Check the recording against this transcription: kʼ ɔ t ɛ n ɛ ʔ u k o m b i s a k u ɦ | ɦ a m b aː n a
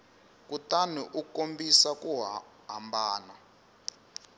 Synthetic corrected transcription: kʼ u t a n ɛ ʔ u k o m b i s a k u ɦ | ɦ a m b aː n a